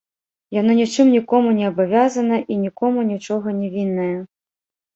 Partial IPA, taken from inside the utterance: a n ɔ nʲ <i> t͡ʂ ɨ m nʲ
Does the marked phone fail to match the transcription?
no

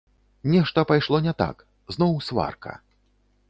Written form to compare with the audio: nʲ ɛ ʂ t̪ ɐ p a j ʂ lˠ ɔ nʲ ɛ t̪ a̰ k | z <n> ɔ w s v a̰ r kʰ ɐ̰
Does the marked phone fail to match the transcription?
no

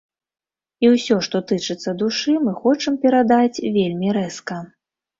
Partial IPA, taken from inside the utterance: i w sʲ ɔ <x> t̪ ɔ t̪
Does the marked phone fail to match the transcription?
yes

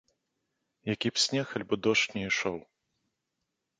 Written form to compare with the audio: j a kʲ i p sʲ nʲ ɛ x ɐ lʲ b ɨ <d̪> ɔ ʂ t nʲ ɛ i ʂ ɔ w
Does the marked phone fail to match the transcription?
no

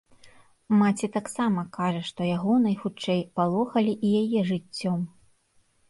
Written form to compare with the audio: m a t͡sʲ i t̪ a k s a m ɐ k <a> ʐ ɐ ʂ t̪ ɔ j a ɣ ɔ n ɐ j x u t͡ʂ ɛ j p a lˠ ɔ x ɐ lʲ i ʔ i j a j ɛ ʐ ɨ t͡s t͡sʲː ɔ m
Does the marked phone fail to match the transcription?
no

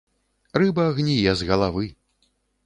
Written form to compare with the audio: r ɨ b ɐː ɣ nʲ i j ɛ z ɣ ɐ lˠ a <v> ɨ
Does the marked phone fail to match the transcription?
no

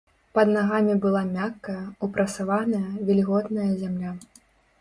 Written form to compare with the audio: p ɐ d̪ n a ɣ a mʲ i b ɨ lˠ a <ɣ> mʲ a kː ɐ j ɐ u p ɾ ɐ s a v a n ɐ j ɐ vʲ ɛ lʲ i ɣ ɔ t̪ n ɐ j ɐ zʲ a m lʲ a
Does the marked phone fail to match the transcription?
yes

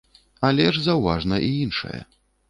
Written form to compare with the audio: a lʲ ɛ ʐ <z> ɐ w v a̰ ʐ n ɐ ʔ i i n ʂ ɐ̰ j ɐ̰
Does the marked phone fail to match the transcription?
no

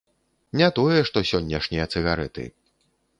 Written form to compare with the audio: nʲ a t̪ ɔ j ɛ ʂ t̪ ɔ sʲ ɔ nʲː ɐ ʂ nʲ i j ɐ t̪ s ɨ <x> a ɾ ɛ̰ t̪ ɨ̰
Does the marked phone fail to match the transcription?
yes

